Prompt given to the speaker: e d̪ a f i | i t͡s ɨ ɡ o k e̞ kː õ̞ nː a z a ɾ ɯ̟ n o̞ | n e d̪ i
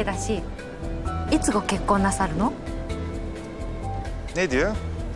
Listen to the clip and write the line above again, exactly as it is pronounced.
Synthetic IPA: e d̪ a ɕ i | i t͡s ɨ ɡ o k e̞ kː õ̞ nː a s a ɾ ɯ̟ n o̞ | n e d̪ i